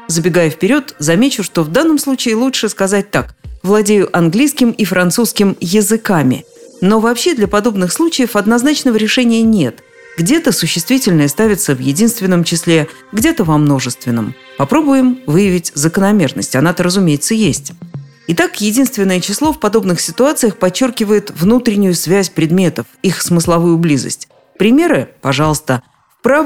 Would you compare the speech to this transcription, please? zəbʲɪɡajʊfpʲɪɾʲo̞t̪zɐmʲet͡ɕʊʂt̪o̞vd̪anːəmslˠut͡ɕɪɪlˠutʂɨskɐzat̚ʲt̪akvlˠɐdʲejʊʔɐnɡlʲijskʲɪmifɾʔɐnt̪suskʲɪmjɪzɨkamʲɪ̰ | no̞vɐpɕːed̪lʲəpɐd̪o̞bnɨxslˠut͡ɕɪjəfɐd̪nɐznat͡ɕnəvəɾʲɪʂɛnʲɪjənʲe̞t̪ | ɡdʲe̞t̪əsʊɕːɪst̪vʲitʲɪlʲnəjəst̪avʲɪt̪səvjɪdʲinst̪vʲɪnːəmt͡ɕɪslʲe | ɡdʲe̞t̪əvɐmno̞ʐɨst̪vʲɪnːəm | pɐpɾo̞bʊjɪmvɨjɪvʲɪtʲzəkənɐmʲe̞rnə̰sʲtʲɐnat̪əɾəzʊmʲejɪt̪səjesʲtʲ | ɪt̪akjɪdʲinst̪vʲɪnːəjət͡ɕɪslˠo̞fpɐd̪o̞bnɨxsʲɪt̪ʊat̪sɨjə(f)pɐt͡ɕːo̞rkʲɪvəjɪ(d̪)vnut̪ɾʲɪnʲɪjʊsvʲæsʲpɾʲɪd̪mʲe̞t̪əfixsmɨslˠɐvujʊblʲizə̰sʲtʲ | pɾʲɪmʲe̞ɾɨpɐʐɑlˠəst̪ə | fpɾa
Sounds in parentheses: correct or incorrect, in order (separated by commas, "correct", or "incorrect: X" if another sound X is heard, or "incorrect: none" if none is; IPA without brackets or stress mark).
incorrect: x, incorrect: t̪